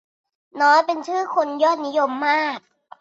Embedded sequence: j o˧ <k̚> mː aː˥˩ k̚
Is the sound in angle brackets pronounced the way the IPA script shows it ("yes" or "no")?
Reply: no